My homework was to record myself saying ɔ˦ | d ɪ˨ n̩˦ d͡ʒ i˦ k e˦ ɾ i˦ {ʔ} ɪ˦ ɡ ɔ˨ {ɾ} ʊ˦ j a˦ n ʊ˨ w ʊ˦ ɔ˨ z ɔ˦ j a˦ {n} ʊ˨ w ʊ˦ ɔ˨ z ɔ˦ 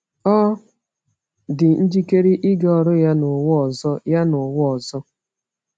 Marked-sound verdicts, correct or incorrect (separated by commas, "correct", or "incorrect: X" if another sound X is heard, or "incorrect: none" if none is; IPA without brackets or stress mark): correct, correct, correct